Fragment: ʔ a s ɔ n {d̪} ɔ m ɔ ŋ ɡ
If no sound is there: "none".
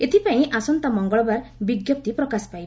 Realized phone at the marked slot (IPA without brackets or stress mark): t̪